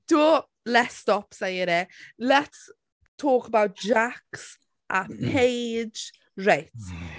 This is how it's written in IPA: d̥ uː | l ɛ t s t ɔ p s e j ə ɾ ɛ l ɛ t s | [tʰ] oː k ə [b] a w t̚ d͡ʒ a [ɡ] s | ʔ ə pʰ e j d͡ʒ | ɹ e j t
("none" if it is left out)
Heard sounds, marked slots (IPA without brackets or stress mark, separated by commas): tʰ, b, k